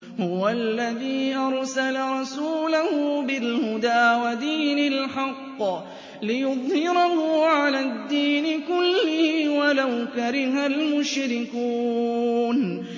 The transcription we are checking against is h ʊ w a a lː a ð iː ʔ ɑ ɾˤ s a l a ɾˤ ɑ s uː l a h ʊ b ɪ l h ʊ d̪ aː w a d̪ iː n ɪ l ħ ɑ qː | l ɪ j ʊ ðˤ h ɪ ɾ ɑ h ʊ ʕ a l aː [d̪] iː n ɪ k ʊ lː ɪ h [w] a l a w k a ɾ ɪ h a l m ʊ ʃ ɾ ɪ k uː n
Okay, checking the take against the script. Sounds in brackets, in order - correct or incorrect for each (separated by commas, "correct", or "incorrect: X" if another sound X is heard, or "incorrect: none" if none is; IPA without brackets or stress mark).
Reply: incorrect: d̪ː, correct